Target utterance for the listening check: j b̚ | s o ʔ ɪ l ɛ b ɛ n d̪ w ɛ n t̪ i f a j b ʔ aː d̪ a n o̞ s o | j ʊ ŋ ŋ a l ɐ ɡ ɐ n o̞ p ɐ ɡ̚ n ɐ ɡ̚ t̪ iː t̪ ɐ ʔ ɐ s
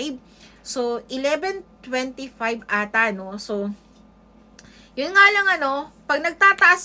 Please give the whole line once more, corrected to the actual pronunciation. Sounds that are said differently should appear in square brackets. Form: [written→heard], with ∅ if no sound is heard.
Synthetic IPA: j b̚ | s o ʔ ɪ l ɛ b ɛ n [d̪→t̪] w ɛ n t̪ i f a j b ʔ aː [d̪→t̪] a n o̞ s o | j ʊ [ŋ→n] ŋ a l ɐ [ɡ→ŋ] ɐ n o̞ p ɐ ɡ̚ n ɐ ɡ̚ t̪ [iː→aː] t̪ ɐ ʔ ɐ s